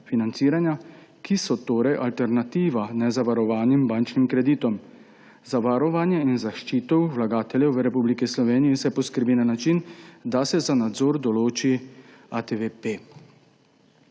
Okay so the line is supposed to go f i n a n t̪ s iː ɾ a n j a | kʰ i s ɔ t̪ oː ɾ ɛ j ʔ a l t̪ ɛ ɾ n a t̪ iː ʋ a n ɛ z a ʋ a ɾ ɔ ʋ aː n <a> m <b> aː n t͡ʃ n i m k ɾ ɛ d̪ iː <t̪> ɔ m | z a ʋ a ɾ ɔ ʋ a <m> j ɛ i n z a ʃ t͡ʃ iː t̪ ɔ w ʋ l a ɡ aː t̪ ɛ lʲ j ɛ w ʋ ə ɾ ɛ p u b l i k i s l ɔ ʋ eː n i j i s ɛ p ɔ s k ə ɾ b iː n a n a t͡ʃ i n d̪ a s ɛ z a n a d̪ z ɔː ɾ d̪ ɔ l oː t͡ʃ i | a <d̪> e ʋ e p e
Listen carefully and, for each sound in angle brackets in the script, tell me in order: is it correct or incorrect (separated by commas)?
incorrect, correct, correct, incorrect, incorrect